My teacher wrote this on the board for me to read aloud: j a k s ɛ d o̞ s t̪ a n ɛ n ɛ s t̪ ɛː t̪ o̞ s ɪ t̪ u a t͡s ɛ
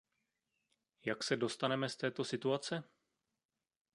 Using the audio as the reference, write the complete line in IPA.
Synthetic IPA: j a k s ɛ d o̞ s t̪ a n ɛ m ɛ s t̪ ɛː t̪ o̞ s ɪ t̪ u a t͡s ɛ